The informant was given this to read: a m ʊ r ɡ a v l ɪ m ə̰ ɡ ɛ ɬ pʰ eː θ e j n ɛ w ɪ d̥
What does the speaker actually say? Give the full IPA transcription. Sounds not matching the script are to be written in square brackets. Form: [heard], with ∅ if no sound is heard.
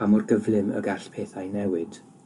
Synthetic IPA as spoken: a m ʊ r ɡ [ə] v l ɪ m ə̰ ɡ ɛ ɬ pʰ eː θ [a] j n ɛ w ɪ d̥